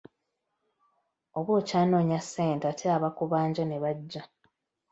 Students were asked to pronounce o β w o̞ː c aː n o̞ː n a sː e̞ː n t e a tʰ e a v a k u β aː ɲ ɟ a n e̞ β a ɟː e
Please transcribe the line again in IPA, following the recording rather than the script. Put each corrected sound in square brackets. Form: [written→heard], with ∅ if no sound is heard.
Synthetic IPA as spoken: o β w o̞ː c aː n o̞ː [n→ɲ] a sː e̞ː n t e a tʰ e a [v→β] a k u β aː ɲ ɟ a n e̞ β a ɟː [e→a]